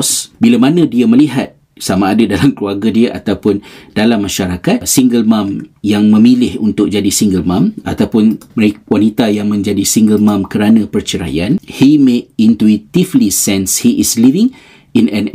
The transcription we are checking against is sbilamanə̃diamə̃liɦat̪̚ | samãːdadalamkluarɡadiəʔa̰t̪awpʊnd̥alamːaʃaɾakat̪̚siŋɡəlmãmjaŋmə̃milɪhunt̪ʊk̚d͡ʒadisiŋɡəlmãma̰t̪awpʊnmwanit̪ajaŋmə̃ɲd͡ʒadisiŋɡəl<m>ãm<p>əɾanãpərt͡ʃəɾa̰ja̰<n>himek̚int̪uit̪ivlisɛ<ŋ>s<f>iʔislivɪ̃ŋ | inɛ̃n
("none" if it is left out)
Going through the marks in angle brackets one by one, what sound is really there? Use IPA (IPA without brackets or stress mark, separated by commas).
m, k, n, n, h